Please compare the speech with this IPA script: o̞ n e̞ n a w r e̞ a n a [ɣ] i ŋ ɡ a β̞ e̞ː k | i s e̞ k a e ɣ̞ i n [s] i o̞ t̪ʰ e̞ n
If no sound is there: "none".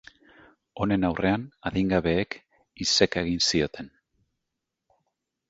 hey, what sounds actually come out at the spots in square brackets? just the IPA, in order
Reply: ð, s

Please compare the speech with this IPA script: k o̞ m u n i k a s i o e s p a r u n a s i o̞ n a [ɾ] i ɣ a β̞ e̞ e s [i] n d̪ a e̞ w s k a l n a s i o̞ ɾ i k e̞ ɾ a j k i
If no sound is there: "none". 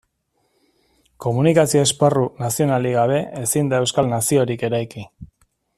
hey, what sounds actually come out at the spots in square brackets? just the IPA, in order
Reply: l, i

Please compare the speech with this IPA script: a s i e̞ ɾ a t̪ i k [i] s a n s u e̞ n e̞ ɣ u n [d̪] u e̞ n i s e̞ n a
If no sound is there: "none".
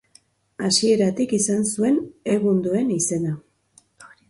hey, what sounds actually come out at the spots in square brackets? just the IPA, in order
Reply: i, d̪

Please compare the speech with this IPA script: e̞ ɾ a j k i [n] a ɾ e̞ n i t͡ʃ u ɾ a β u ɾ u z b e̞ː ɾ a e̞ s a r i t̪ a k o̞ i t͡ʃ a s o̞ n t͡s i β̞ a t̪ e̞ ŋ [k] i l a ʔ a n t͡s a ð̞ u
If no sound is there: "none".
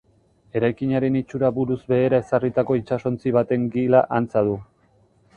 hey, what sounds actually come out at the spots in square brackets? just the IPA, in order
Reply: ɲ, ɡ

